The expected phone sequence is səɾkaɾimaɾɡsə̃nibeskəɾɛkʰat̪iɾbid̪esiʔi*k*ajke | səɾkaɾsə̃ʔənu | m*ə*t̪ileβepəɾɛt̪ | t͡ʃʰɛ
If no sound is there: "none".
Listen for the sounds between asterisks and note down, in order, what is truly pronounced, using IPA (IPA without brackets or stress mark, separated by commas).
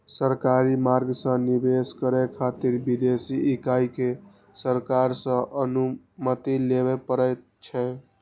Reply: k, ə